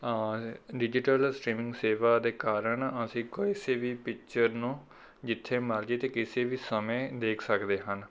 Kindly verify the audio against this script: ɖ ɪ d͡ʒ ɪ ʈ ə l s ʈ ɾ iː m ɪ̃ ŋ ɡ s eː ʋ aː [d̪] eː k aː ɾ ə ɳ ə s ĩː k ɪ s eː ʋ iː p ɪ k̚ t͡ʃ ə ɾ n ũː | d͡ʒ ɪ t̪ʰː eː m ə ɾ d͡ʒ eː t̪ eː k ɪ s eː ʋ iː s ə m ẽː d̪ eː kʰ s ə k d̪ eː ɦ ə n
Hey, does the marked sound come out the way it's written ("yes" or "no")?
yes